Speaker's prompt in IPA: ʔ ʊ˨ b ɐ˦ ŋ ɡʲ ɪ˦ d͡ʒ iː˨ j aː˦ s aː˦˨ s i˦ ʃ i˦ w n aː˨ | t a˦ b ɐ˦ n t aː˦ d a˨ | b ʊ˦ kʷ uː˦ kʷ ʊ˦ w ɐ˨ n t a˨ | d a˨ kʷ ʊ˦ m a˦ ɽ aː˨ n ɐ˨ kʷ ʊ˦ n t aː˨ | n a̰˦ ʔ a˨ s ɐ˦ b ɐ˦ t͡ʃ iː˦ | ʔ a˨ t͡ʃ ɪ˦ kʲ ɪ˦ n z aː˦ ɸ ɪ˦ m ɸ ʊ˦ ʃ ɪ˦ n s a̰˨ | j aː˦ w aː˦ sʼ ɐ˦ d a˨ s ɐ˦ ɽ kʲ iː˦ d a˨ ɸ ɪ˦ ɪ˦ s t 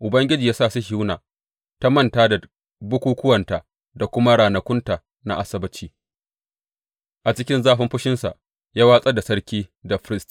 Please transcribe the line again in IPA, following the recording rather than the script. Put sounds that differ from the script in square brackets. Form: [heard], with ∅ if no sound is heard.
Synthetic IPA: ʔ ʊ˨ b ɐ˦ ŋ ɡʲ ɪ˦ d͡ʒ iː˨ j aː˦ s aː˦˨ s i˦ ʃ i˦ w n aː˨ | t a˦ [m] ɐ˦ n t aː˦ d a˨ | b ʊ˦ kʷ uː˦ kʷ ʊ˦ w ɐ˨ n t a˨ | d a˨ kʷ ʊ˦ m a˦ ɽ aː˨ n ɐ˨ kʷ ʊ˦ n t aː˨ | n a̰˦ ʔ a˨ s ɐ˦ b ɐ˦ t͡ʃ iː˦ | ʔ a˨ t͡ʃ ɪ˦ kʲ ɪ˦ n z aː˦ ɸ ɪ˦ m ɸ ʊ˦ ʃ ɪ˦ n s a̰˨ | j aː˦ w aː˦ sʼ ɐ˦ d a˨ s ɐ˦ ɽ kʲ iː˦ d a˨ ɸ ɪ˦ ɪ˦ s t